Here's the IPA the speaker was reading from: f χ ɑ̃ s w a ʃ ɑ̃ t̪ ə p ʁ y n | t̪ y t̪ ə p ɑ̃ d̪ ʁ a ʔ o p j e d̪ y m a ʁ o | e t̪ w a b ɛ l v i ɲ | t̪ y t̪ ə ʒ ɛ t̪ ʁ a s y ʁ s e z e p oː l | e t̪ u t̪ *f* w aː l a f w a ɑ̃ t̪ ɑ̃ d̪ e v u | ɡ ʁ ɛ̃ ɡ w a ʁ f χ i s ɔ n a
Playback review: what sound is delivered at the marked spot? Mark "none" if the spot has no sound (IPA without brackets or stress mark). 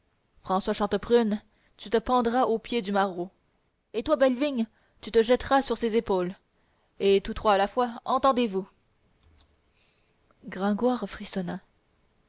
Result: χ